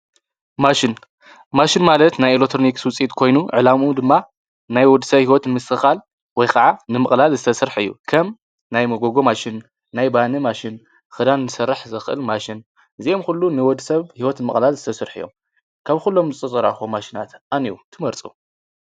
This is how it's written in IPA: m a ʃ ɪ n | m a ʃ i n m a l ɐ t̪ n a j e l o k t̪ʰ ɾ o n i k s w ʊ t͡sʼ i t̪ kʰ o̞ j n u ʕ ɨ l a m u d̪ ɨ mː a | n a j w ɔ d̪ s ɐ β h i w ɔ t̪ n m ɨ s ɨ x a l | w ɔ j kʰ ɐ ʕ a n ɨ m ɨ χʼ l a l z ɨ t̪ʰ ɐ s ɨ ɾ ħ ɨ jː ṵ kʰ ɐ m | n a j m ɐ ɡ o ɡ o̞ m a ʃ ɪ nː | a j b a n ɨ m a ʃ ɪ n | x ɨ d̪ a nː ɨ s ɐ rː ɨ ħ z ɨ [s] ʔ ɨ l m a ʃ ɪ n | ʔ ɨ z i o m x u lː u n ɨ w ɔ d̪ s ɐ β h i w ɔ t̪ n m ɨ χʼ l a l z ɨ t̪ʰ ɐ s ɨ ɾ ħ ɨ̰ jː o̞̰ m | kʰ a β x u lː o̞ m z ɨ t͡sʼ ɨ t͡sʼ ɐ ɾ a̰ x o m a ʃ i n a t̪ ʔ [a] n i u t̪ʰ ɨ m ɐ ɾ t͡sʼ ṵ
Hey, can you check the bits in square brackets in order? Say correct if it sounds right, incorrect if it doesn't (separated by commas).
incorrect, correct